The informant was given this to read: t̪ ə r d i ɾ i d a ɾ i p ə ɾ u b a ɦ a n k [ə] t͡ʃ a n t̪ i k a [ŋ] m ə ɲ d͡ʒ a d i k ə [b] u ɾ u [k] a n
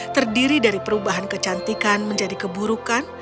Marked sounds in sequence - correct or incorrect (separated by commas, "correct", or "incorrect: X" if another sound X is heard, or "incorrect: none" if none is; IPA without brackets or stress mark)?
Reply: correct, incorrect: n, correct, correct